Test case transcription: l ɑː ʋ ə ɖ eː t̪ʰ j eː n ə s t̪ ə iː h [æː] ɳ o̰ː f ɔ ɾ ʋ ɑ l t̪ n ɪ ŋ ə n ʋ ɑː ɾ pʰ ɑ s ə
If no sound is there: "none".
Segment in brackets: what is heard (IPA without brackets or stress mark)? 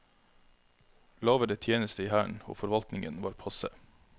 æː